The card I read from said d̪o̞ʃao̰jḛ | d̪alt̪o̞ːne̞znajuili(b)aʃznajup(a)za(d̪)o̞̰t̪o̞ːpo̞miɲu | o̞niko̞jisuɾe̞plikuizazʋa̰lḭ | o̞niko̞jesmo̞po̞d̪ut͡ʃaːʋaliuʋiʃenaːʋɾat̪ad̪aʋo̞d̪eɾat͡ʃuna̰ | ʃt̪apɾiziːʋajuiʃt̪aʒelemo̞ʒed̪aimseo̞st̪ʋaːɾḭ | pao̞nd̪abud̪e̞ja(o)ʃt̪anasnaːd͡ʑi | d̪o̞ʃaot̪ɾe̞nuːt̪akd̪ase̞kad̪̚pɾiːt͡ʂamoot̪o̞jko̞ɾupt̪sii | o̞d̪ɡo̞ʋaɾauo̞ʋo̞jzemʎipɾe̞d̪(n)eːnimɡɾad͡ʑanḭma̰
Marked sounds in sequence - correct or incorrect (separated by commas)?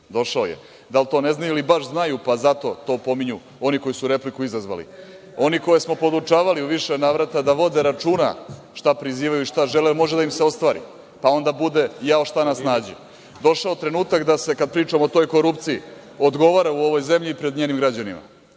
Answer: correct, correct, incorrect, correct, incorrect